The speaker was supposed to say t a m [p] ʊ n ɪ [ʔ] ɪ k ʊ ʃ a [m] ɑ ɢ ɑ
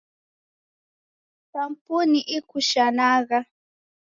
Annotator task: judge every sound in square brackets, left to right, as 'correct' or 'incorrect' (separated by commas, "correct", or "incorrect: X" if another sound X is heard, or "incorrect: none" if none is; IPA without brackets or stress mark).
correct, correct, incorrect: n